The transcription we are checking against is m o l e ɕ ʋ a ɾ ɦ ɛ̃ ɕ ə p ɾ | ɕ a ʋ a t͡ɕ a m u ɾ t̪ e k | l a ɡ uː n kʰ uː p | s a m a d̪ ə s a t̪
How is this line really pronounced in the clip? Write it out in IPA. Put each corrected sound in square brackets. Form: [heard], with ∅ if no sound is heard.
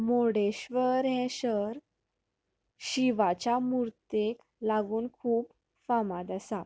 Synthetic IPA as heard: m o [ɽ] e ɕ ʋ [ə] ɾ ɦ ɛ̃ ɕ ə [∅] ɾ | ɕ [i] ʋ a t͡ɕ a m u ɾ t̪ e k | l a ɡ uː n kʰ uː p | [f] a m a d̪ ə s a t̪

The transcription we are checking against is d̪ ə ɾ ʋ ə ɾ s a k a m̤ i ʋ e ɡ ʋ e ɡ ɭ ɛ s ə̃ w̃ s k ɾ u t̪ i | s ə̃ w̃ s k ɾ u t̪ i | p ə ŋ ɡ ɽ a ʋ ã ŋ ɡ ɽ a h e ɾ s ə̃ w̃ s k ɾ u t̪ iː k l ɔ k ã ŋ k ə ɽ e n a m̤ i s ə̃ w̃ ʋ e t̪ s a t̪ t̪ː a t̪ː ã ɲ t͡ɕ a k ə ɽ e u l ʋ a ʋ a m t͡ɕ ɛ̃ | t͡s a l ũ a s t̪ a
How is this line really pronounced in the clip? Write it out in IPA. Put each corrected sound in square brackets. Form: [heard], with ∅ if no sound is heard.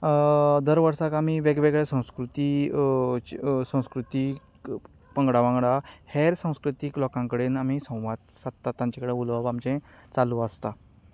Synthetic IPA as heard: d̪ ə ɾ ʋ ə ɾ s a k a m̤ i ʋ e ɡ ʋ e ɡ ɭ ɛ s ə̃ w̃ s k ɾ u t̪ i | s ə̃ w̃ s k ɾ u t̪ i | p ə ŋ ɡ ɽ a ʋ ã ŋ ɡ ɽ a h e ɾ s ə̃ w̃ s k ɾ u t̪ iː k l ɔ k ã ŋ k ə ɽ e n a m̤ i s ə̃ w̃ ʋ [a] t̪ s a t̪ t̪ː a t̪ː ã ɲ t͡ɕ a k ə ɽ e u l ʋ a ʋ a m t͡ɕ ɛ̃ | t͡s a l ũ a s t̪ a

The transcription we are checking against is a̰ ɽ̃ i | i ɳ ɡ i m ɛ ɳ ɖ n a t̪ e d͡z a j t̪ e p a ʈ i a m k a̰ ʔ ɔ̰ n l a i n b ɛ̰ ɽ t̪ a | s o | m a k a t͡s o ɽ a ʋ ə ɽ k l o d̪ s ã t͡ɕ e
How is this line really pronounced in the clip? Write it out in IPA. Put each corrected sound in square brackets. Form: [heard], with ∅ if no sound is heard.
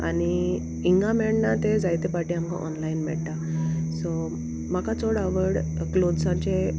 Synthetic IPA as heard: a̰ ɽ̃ i | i [ŋ] ɡ [a] m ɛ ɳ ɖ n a t̪ e d͡z a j t̪ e p a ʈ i a m k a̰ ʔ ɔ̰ n l a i n [m] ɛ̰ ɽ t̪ a | s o | m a k a t͡s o ɽ a ʋ ə ɽ k l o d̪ s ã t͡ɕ e

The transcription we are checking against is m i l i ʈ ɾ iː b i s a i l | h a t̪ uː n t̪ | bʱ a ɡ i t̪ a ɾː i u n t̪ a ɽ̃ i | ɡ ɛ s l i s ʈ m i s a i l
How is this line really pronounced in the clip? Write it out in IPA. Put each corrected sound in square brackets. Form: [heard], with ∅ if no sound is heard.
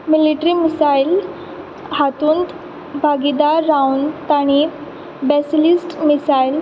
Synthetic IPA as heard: m i l i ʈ ɾ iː [m] i s a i l | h a t̪ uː n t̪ | bʱ a ɡ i [d̪] a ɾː [a] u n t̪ a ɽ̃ i | [b] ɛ s l i s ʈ m i s a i l

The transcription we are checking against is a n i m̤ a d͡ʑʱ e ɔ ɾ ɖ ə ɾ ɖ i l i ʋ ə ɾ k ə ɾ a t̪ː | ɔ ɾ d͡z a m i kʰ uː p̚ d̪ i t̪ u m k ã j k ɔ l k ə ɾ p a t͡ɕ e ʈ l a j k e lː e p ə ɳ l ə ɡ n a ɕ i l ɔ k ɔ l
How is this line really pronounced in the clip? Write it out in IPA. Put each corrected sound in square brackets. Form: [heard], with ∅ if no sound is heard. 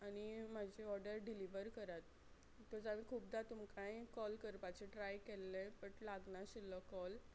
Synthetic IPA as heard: a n i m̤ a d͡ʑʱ e ɔ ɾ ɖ ə ɾ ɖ i l i ʋ ə ɾ k ə ɾ a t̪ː | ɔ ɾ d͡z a m i kʰ uː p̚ d̪ [a] t̪ u m k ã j k ɔ l k ə ɾ p a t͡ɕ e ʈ [ɾ] a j k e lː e p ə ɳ l [a] ɡ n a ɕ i l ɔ k ɔ l

